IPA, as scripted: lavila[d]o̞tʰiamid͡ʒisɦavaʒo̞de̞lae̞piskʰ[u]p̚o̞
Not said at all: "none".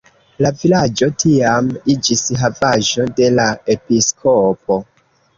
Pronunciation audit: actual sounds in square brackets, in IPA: d͡ʒ, o

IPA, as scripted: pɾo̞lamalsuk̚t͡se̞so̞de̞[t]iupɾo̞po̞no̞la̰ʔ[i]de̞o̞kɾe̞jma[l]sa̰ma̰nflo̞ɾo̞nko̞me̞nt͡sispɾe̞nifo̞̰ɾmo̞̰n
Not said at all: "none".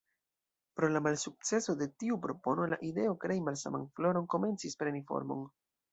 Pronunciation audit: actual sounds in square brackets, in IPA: t, i, l

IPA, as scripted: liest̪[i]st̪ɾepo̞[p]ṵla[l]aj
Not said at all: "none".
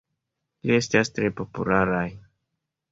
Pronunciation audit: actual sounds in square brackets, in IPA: a, p, ɾ

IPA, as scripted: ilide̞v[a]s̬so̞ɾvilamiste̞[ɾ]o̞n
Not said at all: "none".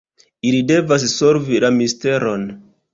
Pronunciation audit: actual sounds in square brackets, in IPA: a, ɾ

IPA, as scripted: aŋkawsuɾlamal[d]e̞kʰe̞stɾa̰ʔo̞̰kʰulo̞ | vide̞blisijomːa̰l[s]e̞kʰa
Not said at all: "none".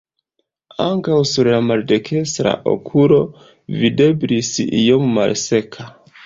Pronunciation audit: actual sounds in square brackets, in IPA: d, s

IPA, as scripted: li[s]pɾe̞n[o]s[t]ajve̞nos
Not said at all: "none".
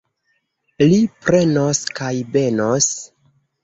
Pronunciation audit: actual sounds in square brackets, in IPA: none, o, k

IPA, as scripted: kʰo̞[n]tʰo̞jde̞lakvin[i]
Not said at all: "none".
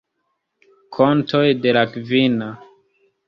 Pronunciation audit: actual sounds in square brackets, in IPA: n, a

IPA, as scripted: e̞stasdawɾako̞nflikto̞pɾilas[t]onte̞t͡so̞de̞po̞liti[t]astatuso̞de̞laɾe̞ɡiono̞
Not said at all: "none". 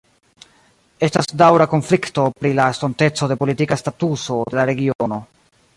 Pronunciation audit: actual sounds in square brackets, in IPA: t, k

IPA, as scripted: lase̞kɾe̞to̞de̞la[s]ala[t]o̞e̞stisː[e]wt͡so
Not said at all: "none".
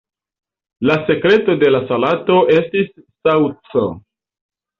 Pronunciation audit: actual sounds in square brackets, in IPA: s, t, a

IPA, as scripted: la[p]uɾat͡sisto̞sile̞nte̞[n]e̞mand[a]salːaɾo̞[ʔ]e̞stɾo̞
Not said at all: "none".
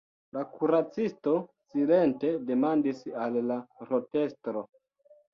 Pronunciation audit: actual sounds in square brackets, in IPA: k, d, i, t

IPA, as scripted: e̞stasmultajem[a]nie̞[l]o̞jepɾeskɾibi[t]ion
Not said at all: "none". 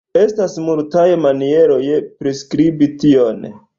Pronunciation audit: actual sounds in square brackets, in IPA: a, ɾ, t

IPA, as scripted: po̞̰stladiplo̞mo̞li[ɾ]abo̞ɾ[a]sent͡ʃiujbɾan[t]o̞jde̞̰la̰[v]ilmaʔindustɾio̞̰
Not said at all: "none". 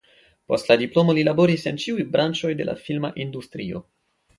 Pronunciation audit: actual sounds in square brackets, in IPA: l, i, t͡ʃ, f

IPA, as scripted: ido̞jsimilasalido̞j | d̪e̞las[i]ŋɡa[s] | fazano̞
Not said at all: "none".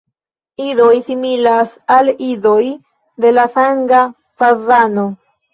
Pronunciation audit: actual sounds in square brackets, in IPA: a, none

